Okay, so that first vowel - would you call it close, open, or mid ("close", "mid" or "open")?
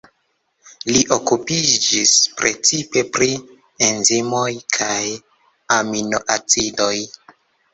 close